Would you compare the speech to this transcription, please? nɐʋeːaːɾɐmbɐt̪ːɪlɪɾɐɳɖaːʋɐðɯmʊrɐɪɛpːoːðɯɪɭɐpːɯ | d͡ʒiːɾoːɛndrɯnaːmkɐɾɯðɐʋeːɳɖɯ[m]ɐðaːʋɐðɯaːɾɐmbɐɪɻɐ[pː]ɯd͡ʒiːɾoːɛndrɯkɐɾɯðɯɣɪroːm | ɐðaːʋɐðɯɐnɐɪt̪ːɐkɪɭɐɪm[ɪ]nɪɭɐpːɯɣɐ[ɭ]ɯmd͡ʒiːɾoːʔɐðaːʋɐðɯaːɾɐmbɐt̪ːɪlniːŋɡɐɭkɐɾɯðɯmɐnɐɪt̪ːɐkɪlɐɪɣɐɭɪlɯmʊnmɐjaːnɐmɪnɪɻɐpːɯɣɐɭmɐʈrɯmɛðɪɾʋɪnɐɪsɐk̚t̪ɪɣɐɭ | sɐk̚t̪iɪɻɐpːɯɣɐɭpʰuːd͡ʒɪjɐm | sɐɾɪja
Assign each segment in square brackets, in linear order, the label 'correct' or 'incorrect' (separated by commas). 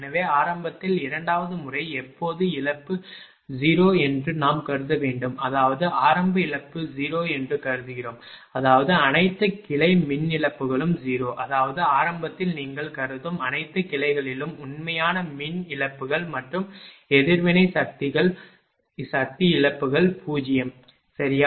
correct, correct, correct, correct